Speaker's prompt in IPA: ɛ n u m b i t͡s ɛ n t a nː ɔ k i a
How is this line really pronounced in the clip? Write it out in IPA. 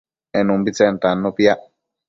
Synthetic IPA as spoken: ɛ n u m b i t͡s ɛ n t a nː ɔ p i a